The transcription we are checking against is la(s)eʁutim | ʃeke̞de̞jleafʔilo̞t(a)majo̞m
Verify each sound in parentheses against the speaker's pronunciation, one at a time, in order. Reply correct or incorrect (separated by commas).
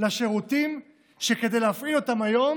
incorrect, correct